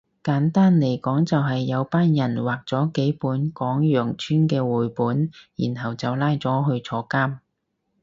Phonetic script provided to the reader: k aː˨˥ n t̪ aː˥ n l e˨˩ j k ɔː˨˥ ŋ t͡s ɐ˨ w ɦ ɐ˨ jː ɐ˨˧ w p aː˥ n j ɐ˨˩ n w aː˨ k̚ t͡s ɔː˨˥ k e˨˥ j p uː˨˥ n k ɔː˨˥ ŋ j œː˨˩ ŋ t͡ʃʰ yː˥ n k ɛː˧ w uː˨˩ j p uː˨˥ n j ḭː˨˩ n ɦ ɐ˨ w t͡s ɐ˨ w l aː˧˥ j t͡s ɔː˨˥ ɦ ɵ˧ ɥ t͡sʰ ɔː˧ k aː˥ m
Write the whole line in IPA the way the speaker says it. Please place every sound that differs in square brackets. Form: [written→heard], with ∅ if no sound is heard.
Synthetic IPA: k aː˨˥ n t̪ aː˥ n l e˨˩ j k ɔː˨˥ ŋ t͡s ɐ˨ w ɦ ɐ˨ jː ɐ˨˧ w p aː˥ n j ɐ˨˩ n w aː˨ k̚ t͡s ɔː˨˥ k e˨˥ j p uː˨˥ n k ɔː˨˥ ŋ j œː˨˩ ŋ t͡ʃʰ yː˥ n k ɛː˧ w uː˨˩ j p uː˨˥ n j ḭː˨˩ n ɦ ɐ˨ w t͡s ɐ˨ w l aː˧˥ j t͡s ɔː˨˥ ɦ ɵ˧ ɥ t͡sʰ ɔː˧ k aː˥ m

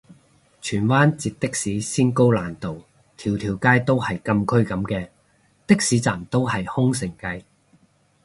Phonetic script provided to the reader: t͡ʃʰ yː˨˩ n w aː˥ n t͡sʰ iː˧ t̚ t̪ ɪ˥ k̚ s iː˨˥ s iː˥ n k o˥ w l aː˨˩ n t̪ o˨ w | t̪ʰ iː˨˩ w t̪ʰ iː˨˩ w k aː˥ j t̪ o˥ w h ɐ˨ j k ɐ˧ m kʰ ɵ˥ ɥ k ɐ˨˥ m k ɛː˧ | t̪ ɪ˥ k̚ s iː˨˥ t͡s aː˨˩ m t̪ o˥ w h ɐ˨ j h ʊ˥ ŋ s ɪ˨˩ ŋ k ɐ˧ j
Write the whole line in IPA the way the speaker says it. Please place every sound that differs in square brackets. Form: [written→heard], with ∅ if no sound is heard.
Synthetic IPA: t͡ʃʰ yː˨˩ n w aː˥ n [t͡sʰ→t͡s] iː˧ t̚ t̪ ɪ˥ k̚ s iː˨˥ s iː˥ n k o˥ w l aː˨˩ n t̪ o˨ w | t̪ʰ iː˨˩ w t̪ʰ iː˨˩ w k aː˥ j t̪ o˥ w h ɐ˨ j k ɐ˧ m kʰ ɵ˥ ɥ k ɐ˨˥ m k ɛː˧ | t̪ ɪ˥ k̚ s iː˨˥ t͡s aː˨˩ m t̪ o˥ w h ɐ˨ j h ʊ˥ ŋ s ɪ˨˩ ŋ k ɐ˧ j

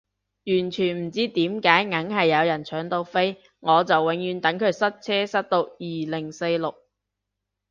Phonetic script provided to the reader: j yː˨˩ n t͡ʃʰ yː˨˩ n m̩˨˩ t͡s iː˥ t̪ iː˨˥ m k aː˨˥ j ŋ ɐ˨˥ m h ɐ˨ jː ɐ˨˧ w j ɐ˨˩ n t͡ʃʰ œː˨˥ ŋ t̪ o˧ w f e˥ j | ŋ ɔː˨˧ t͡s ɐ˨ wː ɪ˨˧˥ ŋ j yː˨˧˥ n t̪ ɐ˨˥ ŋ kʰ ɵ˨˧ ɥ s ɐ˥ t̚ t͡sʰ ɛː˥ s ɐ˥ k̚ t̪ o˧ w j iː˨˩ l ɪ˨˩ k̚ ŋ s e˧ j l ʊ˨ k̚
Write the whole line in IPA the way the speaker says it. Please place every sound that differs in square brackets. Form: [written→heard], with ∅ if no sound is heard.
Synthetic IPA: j yː˨˩ n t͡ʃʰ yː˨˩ n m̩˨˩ t͡s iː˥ t̪ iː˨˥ m k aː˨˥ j ŋ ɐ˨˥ [m→ŋ] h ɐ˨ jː ɐ˨˧ w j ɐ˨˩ n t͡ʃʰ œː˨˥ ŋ t̪ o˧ w f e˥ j | ŋ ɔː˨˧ t͡s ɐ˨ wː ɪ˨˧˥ ŋ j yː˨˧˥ n t̪ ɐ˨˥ ŋ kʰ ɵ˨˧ ɥ s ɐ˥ t̚ t͡sʰ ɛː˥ s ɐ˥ [k̚→t̚] t̪ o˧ w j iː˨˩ l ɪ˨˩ [k̚→∅] ŋ s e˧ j l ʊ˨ k̚

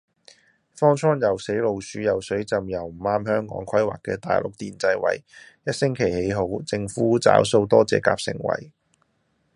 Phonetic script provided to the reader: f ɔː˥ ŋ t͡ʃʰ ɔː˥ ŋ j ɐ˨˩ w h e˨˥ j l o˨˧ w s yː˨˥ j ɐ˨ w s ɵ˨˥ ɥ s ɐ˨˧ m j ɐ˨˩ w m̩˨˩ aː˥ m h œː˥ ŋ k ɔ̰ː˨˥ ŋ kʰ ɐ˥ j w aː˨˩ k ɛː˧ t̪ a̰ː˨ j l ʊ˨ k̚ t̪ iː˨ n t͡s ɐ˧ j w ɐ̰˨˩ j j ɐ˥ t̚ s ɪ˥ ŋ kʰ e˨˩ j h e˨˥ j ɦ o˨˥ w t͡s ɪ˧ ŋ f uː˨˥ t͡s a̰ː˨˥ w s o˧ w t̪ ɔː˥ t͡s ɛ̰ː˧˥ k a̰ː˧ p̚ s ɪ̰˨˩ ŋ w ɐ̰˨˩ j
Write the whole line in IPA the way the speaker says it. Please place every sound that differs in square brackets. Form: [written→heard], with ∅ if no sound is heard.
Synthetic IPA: f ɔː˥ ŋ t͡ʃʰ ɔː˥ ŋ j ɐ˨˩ w [h→s] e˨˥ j l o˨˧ w s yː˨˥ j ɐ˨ w s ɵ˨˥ ɥ [s→t͡s] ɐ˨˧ m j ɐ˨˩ w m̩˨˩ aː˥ m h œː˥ ŋ k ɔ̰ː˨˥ ŋ kʰ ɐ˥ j w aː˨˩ k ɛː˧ t̪ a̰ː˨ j l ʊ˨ k̚ t̪ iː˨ n t͡s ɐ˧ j w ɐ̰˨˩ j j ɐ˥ t̚ s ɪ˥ ŋ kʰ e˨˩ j h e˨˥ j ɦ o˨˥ w t͡s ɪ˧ ŋ f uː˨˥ t͡s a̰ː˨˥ w s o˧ w t̪ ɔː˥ t͡s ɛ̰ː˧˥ k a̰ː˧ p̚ s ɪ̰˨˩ ŋ w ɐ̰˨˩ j

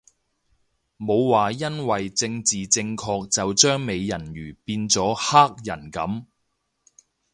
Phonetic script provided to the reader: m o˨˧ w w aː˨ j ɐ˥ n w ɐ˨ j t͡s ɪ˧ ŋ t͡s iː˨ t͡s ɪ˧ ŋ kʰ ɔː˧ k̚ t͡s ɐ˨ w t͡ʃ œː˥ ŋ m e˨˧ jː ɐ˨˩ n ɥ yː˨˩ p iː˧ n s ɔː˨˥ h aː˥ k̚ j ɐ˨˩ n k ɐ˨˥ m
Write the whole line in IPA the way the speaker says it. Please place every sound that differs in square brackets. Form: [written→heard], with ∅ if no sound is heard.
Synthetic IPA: m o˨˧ w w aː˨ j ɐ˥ n w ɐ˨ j t͡s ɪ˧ ŋ t͡s iː˨ t͡s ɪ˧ ŋ kʰ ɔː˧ k̚ t͡s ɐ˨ w t͡ʃ œː˥ ŋ m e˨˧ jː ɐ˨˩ n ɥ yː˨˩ p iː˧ n [s→t͡s] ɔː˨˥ h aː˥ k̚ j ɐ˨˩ n k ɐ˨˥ m

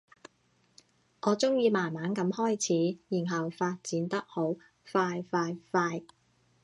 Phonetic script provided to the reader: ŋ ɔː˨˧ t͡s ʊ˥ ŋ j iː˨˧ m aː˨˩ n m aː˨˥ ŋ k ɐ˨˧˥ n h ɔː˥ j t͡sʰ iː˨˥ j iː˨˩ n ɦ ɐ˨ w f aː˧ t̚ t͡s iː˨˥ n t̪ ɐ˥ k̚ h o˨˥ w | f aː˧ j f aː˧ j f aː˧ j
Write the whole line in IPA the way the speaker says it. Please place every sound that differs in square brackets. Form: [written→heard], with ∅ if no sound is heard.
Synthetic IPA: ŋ ɔː˨˧ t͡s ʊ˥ ŋ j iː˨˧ m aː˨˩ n m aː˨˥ [ŋ→n] k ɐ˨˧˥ [n→m] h ɔː˥ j t͡sʰ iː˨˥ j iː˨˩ n ɦ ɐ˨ w f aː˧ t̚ t͡s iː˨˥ n t̪ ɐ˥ k̚ h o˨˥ w | f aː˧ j f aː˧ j f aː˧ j

